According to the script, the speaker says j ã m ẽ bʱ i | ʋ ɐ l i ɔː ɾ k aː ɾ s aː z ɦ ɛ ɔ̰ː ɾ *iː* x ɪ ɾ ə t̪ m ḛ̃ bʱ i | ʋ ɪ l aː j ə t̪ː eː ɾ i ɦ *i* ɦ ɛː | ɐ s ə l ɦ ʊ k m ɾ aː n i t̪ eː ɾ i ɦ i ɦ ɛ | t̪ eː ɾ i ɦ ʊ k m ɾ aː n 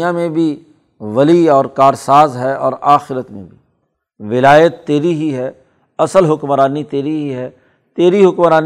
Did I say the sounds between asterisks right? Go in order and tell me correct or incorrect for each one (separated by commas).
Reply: incorrect, correct